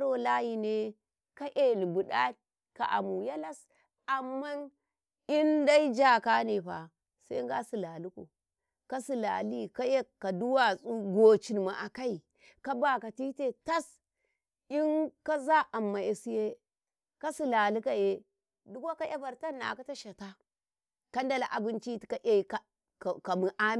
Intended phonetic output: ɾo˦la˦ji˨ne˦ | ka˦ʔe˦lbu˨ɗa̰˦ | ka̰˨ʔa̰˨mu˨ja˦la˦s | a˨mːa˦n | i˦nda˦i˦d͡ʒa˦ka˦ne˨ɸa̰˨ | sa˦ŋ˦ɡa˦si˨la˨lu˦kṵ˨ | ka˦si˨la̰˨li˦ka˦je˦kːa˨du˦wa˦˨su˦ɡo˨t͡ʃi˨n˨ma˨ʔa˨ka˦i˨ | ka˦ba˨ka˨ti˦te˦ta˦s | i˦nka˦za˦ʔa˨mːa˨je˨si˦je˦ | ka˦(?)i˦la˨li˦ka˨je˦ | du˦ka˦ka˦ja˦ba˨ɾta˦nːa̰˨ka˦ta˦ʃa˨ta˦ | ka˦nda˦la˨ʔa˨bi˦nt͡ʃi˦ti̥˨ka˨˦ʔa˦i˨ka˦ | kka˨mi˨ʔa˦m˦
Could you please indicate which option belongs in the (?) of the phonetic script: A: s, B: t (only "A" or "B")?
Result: A